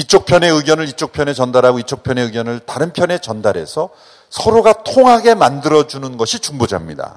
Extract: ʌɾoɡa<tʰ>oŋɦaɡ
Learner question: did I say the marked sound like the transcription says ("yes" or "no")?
yes